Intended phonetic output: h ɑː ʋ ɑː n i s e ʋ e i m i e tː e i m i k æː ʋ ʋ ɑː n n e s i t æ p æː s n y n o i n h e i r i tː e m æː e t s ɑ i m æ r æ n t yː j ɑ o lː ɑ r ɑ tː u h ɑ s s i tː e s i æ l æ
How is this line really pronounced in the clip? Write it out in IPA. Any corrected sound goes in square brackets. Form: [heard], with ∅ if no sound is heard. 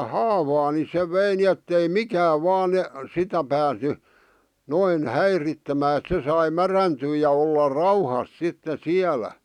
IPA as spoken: h ɑː ʋ ɑː n i s e ʋ e i [n] i e tː e i m i k æː ʋ ʋ ɑː n n e s i t æ p æː s n y n o i n h [æ] i r i tː e m æː e t s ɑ i m æ r æ n t yː j ɑ o lː ɑ r ɑ [∅] u h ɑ s s i tː e s i æ l æ